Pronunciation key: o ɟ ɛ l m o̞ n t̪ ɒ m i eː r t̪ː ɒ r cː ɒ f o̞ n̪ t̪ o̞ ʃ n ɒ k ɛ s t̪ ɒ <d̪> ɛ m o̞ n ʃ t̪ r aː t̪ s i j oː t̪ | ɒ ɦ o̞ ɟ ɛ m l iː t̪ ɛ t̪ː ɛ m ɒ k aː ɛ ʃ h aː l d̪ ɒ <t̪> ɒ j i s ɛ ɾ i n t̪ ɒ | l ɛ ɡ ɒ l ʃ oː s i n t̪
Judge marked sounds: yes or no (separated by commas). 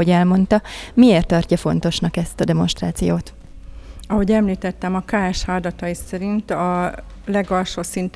yes, yes